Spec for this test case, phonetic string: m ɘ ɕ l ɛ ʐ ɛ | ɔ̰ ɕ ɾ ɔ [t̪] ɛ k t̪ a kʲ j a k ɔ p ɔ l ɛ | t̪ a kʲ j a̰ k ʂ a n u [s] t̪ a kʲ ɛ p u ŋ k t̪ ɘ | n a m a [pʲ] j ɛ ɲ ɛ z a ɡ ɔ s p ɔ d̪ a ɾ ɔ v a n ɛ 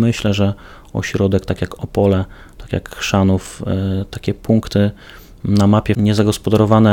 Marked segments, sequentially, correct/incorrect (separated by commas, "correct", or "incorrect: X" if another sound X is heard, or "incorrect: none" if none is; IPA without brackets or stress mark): incorrect: d̪, incorrect: f, correct